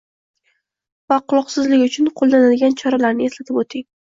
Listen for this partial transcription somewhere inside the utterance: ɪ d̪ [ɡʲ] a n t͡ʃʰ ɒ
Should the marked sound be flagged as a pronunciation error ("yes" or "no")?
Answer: no